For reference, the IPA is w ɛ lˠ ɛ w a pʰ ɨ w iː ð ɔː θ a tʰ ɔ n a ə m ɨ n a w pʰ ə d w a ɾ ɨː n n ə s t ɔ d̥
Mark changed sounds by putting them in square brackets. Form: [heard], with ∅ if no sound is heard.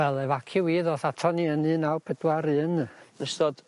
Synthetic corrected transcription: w ɛ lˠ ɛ [v] a [kʰ] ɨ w iː ð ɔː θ a tʰ ɔ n [i] ə [n] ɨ n a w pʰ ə d w a ɾ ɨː n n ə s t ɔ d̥

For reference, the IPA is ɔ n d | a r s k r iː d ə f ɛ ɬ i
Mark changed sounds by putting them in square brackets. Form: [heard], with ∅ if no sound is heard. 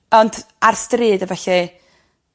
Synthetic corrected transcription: ɔ n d | a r s [t] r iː d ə [v] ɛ ɬ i

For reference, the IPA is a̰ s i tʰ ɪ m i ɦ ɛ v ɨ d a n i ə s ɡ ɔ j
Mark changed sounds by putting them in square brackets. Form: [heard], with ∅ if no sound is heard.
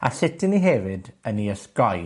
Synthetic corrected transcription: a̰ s [ɪ] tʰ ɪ [n] i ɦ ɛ v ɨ d [ə] n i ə s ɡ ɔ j

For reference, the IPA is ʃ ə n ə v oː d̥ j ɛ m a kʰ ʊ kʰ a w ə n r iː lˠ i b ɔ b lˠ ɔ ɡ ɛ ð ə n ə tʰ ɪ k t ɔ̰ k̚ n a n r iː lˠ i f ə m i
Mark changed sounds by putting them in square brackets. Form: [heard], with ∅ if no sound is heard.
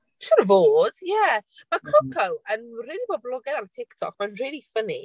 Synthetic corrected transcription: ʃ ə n ə v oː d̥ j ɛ m a kʰ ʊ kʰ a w ə n r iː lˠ i b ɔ b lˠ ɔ ɡ ɛ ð [a] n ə tʰ ɪ k [tʰ] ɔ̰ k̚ [m] a n r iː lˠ i f ə [n] i

